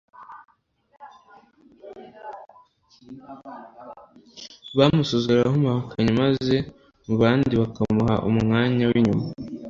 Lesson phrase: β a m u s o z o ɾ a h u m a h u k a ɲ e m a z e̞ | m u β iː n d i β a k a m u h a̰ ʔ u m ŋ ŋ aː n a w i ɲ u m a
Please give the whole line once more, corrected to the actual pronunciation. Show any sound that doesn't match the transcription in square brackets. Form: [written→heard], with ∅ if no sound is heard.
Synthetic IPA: β a m u s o z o ɾ a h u m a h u k a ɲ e m a z e̞ | m u β [iː→aː] n d i β a k a m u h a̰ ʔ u m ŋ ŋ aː [n→ɲ] a w i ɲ u m a